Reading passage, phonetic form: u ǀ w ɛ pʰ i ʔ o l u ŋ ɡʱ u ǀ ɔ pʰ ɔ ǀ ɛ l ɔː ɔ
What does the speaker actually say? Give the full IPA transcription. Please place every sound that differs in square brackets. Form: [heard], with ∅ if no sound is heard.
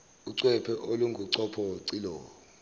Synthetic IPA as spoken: u ǀ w ɛ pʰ [ɛ] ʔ o l u ŋ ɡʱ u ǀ ɔ pʰ ɔ ǀ [i] l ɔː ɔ